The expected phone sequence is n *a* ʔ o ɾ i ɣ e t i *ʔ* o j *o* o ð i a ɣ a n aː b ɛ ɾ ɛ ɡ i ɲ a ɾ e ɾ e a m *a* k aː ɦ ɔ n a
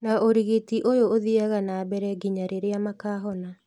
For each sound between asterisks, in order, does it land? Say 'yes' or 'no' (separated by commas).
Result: yes, yes, yes, yes